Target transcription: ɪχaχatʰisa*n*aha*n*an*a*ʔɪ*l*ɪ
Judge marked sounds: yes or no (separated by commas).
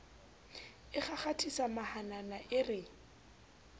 no, yes, yes, no